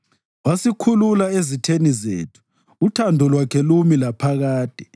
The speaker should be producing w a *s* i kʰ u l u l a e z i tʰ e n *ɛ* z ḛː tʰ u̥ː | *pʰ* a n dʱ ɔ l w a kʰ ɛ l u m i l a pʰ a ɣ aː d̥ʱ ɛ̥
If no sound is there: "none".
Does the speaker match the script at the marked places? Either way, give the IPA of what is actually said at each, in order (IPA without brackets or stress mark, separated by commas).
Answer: s, i, tʰ